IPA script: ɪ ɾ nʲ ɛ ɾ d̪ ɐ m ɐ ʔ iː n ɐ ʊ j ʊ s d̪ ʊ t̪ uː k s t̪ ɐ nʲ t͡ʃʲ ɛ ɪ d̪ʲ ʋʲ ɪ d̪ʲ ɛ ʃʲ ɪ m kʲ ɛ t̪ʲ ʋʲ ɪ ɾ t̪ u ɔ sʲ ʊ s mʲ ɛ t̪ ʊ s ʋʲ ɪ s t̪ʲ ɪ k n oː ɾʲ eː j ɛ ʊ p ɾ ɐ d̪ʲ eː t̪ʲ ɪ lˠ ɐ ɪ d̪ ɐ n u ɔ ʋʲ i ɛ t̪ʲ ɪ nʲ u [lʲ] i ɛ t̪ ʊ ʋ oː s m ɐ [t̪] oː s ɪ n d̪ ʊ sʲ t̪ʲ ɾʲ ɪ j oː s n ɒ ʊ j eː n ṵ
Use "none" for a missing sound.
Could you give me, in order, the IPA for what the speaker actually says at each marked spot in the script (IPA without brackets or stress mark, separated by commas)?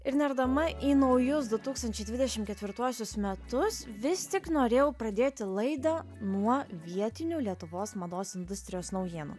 lʲ, d̪